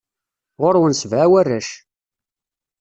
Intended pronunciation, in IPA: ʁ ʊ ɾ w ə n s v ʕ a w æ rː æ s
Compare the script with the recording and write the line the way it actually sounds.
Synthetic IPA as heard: ʁ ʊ ɾ w ə n s v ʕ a w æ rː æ ʃ